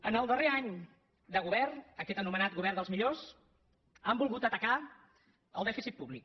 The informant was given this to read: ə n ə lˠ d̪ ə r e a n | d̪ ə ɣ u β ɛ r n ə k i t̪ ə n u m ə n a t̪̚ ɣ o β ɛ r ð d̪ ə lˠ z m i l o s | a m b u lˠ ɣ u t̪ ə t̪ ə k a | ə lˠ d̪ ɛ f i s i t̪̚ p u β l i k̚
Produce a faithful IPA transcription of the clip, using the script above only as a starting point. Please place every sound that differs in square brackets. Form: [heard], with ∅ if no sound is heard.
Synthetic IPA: ə n ə lˠ d̪ ə r e a [ɲ] | d̪ ə ɣ u β ɛ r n ə k [ɛ] t̪ ə n u m ə n a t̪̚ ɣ [u] β ɛ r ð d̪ ə lˠ z m i [ʎ] o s | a m b u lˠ ɣ u t̪ ə t̪ ə k a | ə lˠ d̪ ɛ f i s i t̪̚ p u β l i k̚